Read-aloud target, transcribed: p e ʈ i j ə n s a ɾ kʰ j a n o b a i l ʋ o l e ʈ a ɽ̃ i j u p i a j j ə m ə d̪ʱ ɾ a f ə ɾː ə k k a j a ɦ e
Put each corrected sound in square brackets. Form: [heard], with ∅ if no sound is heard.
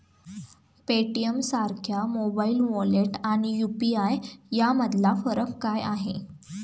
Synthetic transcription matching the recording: p e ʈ i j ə [m] s a ɾ kʰ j a [m] o b a i l ʋ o l e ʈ a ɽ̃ i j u p i a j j [a] m ə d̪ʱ [l] a f ə [ɾ] ə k k a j a ɦ e